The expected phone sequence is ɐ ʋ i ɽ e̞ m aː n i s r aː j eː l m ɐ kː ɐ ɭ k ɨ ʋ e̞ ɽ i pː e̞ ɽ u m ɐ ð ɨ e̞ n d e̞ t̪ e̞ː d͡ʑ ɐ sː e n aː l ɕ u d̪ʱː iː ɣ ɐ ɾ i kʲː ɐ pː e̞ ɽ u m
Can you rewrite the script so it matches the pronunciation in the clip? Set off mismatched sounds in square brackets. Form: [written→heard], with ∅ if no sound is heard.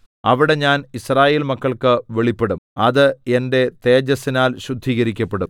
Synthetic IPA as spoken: ɐ ʋ i ɽ e̞ [m→ɲ] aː n i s r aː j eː l m ɐ kː ɐ ɭ k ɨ ʋ e̞ [ɽ→ɭ] i pː e̞ ɽ u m ɐ ð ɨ e̞ n d e̞ t̪ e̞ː d͡ʑ ɐ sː [e→i] n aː l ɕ u d̪ʱː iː ɣ ɐ ɾ i kʲː ɐ pː e̞ ɽ u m